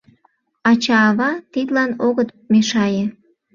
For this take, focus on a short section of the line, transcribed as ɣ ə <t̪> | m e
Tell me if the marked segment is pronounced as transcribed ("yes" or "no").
yes